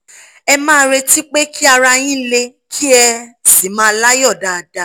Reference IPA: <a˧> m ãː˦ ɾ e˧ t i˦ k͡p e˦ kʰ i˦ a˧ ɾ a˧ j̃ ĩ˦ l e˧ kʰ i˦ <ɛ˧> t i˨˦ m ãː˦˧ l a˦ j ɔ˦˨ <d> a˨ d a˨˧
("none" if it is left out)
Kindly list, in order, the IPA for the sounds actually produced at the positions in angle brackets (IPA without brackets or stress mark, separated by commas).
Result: ɛ˧, ɛ˧, d